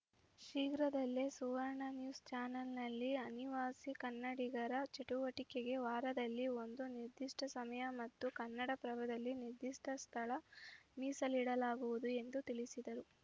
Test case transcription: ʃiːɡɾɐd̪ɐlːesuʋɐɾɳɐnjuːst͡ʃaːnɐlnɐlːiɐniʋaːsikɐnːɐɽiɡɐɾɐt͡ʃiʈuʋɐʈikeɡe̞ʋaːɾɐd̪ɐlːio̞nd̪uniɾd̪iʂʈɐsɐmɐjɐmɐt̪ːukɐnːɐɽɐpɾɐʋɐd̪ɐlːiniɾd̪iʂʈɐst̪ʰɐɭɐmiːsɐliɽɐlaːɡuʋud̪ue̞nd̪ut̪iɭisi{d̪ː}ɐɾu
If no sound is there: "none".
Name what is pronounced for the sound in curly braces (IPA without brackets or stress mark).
d̪